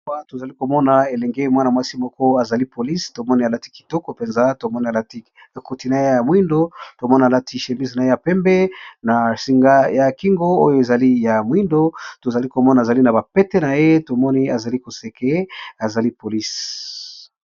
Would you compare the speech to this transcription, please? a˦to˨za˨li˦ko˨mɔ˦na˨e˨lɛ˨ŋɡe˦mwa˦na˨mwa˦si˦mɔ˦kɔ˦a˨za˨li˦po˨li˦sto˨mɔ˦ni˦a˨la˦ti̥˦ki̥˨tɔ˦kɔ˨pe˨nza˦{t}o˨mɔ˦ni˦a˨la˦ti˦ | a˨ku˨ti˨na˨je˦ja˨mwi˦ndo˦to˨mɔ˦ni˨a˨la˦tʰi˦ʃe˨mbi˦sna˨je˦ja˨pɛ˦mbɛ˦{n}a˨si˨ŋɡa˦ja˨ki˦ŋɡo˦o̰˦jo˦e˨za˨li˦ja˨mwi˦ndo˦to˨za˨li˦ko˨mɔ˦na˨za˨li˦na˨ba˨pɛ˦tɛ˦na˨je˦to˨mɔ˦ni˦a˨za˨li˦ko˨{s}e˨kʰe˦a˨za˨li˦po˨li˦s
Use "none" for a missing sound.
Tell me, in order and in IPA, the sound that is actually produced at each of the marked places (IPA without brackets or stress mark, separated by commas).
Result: t, n, s